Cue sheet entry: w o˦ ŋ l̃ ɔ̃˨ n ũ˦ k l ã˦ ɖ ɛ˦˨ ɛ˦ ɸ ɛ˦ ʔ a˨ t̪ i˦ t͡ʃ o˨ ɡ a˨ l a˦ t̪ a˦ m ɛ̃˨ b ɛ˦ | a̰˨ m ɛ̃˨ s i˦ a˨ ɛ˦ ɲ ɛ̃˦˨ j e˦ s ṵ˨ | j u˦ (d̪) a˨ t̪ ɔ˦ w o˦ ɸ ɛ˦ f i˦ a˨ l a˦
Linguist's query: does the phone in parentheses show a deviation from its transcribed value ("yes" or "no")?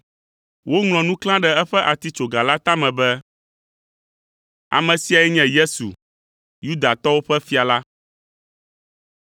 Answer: no